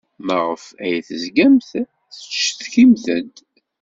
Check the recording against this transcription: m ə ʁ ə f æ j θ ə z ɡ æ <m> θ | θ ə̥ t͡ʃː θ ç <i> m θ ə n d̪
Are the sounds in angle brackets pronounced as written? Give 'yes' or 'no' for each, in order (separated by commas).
yes, yes